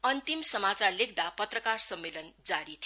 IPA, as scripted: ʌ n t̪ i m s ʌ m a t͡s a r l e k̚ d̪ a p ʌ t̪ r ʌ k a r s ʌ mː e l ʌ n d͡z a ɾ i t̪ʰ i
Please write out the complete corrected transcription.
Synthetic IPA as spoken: ʌ n t̪ i m s ʌ m a t͡s a r l e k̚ d̪ a p ʌ t̪ r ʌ k a r s ʌ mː e l ʌ n d͡z a ɾ i t̪ʰ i